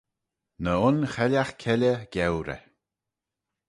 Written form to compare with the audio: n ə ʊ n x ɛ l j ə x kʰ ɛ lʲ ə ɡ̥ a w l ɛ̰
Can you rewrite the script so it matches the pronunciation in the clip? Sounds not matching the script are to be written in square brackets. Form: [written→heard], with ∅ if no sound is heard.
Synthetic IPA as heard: n ə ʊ n x ɛ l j [ə→a] x kʰ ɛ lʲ ə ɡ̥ [a→ɛ] w [l→ɾ] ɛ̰